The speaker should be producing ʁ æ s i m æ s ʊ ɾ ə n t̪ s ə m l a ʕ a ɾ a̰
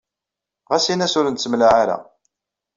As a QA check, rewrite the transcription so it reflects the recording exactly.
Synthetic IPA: ʁ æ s i n æ s ʊ ɾ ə n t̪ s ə m l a ʕ a ɾ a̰